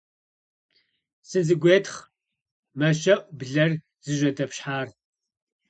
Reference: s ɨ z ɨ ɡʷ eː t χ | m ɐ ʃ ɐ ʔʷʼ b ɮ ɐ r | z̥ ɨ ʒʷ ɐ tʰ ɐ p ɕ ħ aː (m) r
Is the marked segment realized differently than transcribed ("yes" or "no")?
yes